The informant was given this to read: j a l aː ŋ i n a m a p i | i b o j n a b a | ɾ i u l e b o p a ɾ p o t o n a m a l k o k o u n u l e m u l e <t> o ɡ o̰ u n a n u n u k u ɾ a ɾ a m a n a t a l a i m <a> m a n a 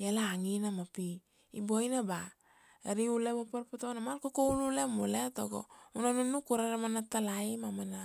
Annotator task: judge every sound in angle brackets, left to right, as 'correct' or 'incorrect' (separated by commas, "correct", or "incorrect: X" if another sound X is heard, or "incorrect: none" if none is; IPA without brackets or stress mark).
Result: correct, correct